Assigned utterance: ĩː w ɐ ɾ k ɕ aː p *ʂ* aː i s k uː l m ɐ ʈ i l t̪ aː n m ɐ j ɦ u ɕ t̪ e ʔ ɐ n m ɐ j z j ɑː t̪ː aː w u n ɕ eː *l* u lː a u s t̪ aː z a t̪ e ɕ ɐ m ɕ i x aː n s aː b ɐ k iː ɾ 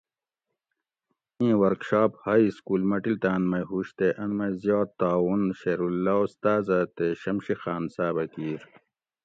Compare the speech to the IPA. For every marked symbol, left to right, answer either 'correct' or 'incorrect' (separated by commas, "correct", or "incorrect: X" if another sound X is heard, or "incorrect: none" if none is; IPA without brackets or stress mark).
incorrect: h, incorrect: ɾ